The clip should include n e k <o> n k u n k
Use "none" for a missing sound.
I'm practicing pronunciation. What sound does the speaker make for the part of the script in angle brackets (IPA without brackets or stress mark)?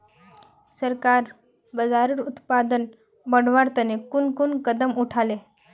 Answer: u